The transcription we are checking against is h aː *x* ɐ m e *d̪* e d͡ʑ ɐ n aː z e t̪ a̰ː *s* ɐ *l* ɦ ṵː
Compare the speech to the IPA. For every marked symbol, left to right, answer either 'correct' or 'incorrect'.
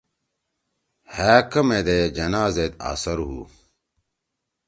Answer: incorrect, correct, correct, incorrect

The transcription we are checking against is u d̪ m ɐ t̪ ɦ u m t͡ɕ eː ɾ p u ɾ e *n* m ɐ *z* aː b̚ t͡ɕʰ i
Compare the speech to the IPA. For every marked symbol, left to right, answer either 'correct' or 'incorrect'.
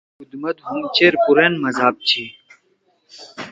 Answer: correct, correct

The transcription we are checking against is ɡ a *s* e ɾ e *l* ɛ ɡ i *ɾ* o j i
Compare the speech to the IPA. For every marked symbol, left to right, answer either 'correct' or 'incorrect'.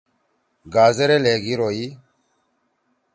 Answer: incorrect, correct, correct

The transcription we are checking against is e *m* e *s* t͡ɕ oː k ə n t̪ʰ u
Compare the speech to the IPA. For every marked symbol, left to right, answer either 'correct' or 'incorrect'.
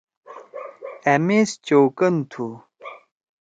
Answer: correct, correct

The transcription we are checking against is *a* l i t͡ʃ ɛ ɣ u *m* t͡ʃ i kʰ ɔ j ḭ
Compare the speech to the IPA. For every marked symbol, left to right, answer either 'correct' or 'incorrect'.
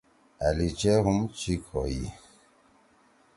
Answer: correct, correct

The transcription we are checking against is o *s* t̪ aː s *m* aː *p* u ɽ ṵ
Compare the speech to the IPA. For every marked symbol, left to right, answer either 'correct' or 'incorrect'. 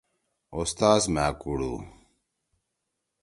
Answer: correct, correct, incorrect

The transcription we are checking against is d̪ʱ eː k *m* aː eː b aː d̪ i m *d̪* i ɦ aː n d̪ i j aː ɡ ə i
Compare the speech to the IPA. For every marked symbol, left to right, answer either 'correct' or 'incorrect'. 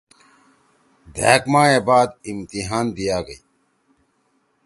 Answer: correct, incorrect

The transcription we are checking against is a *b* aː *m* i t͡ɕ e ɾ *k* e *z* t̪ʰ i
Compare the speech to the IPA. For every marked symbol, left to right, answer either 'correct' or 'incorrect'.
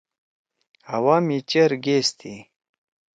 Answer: incorrect, correct, incorrect, incorrect

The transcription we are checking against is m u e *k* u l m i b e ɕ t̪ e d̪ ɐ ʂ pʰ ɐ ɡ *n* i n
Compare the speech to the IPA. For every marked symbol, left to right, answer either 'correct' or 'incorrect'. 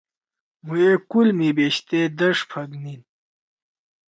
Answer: correct, correct

